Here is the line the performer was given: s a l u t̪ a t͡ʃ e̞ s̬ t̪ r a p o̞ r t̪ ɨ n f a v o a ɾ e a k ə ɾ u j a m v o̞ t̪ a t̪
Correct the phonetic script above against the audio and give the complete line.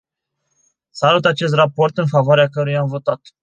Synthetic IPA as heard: s a l u t̪ a t͡ʃ e̞ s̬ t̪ r a p o̞ r t̪ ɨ n f a v o a ɾ e a k ə ɾ u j a m v o̞ t̪ a t̪